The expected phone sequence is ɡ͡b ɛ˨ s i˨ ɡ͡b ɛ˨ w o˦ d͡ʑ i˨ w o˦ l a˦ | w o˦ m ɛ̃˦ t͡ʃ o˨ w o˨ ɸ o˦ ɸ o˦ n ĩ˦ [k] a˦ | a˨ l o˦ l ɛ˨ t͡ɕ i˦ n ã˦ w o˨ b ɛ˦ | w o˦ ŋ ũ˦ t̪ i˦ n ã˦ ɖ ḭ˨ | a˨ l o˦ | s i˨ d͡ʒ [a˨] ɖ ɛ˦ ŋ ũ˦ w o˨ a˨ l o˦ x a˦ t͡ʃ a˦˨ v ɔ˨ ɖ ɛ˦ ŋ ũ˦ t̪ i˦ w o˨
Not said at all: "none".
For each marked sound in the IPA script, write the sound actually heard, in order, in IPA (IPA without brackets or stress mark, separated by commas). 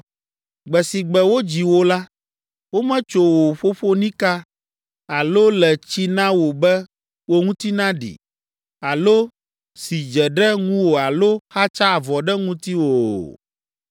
k, ɛ˨